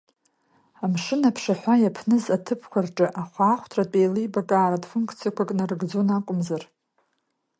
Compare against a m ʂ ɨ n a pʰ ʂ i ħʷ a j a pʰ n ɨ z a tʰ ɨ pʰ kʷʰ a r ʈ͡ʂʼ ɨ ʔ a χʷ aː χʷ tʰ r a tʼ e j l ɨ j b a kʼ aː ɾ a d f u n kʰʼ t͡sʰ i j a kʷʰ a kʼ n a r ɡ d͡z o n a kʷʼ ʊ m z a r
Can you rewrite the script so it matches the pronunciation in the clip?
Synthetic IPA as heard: a m ʂ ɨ n a pʰ ʂ a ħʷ a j a pʰ n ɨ z a tʰ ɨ pʰ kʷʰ a r ʈ͡ʂʼ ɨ ʔ a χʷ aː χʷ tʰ r a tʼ e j l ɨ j b a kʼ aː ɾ a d f u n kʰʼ t͡sʰ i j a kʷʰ a kʼ n a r ɡ d͡z o n a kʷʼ ʊ m z a r